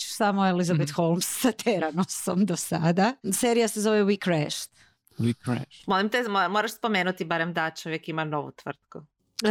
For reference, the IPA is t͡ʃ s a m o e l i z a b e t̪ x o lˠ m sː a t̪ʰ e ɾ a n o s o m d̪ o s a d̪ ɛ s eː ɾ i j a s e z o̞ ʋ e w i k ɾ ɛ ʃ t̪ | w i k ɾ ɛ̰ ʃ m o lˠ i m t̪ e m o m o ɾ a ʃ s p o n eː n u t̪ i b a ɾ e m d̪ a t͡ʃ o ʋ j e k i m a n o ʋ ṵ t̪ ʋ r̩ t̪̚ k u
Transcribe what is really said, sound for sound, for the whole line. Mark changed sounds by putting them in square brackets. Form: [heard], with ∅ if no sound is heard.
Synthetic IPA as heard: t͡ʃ s a m o e l i z a b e t̪ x o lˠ m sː a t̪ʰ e ɾ a n o s o m d̪ o s a d̪ [a] s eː ɾ i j a s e z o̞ ʋ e w i k ɾ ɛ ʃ t̪ | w i k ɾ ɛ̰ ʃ m o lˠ i m t̪ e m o m o ɾ a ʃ s p o [m] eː n u t̪ i b a ɾ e m d̪ a t͡ʃ o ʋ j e k i m a n o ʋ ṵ t̪ ʋ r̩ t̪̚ k u